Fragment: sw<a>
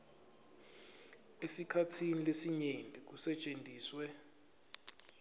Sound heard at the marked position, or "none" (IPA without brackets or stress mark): ɛ